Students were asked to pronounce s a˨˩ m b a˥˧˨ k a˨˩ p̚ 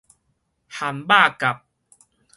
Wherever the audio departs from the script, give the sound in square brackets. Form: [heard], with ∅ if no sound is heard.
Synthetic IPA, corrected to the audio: [h] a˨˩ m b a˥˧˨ k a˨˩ p̚